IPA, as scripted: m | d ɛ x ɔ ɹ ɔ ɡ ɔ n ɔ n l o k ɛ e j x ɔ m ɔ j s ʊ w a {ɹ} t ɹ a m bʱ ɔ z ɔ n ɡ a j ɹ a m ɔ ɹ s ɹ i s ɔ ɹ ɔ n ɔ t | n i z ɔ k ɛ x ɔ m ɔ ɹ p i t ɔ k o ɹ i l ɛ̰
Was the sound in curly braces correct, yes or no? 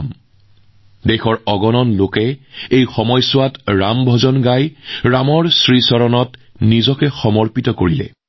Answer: no